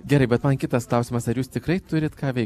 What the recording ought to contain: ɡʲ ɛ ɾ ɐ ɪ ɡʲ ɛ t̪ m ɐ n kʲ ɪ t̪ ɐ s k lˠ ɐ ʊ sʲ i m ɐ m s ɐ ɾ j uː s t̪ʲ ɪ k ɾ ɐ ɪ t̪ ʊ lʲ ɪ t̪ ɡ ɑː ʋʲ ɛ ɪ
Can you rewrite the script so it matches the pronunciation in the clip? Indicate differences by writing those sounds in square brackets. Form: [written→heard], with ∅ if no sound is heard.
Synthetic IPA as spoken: ɡʲ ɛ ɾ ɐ ɪ [ɡʲ→bʲ] ɛ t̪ m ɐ n kʲ ɪ t̪ ɐ s k lˠ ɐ ʊ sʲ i m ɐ [m→∅] s ɐ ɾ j uː s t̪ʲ ɪ k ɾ ɐ ɪ t̪ ʊ [lʲ→ɾʲ] ɪ t̪ [ɡ→k] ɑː ʋʲ ɛ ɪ